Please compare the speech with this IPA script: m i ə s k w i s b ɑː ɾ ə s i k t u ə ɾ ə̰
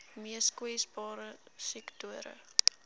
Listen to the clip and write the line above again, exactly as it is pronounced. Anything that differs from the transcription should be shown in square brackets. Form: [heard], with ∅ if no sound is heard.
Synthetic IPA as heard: m i ə s k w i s b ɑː ɾ ə s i k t u ə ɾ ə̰